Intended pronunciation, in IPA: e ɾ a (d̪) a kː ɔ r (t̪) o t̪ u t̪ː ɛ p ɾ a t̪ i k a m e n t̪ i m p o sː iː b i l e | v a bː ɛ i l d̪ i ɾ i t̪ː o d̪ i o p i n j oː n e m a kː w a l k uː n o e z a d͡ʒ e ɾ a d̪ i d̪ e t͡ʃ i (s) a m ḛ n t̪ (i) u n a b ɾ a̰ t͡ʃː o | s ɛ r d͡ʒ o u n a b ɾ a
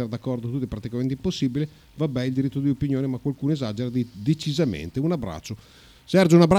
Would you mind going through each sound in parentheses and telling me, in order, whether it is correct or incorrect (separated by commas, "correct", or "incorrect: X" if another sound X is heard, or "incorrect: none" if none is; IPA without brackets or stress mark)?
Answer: correct, incorrect: d̪, incorrect: z, incorrect: e